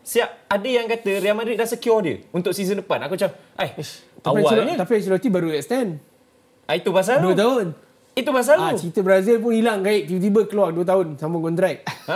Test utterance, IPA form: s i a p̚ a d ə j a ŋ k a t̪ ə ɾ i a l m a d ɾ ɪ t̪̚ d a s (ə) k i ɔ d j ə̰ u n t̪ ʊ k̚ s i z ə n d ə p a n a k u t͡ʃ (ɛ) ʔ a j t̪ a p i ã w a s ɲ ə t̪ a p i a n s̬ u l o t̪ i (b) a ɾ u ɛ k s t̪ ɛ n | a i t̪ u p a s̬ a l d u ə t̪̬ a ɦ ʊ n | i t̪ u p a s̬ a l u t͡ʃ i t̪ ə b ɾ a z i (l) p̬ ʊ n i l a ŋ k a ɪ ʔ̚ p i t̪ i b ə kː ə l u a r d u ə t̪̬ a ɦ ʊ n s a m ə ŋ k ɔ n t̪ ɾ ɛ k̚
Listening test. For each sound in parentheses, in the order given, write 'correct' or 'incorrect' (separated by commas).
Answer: correct, incorrect, correct, correct